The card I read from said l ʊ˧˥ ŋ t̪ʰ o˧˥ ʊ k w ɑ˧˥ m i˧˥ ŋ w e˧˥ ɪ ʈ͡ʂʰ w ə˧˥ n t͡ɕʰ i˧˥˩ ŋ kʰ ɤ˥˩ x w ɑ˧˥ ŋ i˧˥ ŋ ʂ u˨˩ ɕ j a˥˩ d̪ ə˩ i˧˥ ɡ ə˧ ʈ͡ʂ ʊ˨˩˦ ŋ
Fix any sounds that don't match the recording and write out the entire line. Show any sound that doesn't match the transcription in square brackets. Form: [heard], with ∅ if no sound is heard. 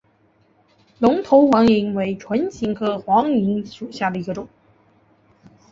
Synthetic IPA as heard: l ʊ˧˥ ŋ t̪ʰ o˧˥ ʊ [x] w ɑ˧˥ [ŋ] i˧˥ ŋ w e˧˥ ɪ ʈ͡ʂʰ w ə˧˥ n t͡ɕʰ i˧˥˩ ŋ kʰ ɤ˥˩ x w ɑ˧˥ ŋ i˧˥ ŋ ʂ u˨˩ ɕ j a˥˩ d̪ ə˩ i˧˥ ɡ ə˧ ʈ͡ʂ ʊ˨˩˦ ŋ